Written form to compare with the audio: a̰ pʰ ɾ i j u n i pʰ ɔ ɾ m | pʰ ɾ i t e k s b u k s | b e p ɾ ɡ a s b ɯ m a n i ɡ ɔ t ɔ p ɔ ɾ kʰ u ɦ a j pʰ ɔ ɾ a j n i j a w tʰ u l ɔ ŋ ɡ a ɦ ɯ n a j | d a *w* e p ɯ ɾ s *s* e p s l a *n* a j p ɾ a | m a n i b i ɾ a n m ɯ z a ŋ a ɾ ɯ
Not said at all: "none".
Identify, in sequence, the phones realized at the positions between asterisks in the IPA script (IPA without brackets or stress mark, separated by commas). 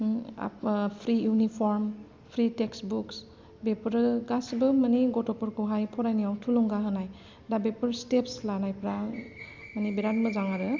b, t, n